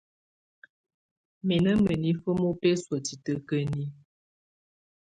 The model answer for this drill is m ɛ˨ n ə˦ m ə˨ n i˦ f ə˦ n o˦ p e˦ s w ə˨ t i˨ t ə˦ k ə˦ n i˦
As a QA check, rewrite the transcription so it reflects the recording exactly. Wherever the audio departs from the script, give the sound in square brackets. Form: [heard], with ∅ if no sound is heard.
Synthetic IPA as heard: m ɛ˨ n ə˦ m ə˨ n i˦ f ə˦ [m] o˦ p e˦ s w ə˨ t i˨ t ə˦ k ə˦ n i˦